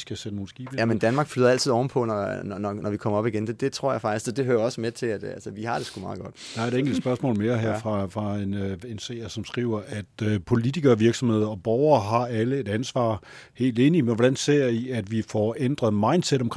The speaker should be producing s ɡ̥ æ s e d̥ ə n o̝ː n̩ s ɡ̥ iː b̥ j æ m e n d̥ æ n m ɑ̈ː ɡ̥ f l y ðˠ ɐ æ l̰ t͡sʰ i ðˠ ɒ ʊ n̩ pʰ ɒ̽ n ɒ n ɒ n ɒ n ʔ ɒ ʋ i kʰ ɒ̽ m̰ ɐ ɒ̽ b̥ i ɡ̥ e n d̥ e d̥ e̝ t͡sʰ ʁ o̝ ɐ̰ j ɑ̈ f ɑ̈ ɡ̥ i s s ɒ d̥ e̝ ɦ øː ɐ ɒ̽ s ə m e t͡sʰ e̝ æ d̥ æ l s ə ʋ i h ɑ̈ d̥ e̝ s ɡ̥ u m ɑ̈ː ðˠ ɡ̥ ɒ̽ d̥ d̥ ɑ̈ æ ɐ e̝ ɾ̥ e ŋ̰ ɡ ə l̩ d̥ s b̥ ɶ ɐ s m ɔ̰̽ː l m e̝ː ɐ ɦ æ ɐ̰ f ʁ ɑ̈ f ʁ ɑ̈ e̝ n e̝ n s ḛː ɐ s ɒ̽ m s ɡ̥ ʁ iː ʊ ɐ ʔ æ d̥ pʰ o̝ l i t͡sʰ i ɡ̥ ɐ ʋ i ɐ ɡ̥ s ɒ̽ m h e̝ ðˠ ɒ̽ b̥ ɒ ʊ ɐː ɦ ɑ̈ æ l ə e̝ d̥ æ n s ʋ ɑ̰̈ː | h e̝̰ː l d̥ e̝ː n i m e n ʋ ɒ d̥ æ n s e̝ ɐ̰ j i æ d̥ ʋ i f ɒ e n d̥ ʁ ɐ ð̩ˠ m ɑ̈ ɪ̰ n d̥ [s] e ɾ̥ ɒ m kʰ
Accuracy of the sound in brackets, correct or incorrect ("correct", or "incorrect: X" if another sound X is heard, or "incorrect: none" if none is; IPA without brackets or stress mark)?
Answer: correct